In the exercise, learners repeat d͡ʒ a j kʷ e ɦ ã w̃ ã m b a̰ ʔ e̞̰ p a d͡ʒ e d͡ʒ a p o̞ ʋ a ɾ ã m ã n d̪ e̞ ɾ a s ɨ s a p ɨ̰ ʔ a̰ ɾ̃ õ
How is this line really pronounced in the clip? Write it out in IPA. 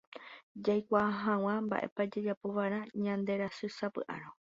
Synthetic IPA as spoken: d͡ʒ a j kʷ a ɦ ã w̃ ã m b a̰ ʔ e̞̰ p a d͡ʒ e d͡ʒ a p o̞ ʋ a ɾ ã ɲ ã n d̪ e̞ ɾ a s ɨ s a p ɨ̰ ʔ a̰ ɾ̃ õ